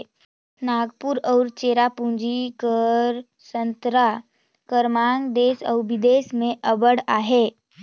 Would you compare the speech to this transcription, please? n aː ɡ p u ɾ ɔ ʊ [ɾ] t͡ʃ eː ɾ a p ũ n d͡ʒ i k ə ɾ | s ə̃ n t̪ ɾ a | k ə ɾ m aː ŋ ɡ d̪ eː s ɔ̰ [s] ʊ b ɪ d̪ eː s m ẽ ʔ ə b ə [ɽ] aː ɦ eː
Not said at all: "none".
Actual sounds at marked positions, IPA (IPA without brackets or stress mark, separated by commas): ɾ, none, ɽ